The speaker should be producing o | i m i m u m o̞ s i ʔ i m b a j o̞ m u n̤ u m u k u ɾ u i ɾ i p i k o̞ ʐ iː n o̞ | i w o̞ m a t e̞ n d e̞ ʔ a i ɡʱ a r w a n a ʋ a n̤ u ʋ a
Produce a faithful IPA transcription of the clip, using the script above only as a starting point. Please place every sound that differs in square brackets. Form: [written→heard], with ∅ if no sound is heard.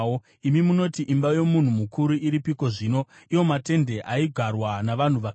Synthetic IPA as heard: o | i m i m u [m→n] o̞ [s→t] i ʔ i m b a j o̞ m u n̤ u m u k u ɾ u i ɾ i p i k o̞ ʐ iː n o̞ | i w o̞ m a t e̞ n d e̞ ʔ a i ɡʱ a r w a n a ʋ a n̤ u ʋ a